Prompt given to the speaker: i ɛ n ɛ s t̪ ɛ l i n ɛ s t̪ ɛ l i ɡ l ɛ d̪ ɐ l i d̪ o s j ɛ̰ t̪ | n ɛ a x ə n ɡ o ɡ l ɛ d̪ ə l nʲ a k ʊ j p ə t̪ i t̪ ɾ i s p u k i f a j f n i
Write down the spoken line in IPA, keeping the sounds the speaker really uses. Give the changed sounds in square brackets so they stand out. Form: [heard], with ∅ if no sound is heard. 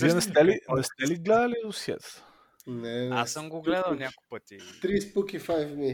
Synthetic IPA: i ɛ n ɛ s t̪ ɛ l i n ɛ s t̪ ɛ l i ɡ l ɛ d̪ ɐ l i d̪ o s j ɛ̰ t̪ | n ɛ a [s] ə [m] ɡ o ɡ l ɛ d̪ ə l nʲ a k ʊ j p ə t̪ i t̪ ɾ i s p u k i f a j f n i